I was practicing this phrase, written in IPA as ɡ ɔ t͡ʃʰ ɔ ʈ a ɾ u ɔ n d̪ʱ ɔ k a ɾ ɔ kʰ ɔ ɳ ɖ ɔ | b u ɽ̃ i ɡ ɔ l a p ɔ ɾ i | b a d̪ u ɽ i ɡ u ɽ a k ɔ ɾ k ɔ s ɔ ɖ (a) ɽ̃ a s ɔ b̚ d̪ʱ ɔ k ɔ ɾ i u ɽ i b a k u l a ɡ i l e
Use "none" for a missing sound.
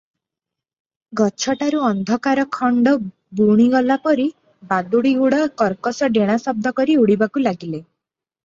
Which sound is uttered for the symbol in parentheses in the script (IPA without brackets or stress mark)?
e